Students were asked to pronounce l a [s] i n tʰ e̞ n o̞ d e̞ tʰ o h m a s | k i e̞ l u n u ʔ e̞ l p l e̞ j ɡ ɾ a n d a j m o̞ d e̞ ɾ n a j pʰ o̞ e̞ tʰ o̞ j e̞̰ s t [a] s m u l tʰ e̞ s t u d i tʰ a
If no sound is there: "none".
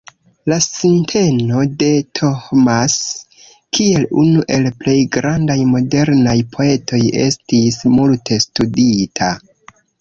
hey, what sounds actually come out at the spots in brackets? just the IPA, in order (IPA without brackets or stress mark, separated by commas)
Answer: s, i